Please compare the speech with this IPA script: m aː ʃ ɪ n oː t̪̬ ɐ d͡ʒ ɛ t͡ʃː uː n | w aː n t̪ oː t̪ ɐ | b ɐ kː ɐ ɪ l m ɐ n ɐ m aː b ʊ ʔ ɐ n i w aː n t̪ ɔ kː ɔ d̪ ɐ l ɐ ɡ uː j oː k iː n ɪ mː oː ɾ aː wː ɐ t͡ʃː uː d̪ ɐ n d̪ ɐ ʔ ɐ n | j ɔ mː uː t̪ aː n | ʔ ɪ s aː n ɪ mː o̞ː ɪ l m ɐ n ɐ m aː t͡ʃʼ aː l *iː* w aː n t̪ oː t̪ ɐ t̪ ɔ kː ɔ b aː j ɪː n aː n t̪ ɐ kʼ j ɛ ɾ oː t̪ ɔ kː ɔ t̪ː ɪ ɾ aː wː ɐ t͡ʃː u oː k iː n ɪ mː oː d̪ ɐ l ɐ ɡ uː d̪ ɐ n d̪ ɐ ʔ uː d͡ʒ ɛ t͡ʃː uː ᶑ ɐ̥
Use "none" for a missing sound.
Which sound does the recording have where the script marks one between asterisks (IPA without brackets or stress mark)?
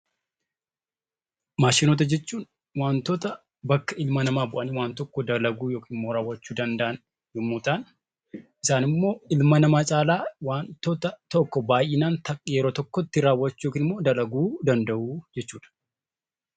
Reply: aː